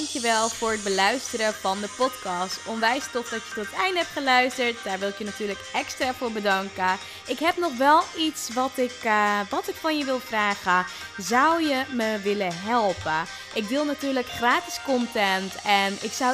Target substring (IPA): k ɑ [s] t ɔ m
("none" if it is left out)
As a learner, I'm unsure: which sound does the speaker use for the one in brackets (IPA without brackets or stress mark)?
s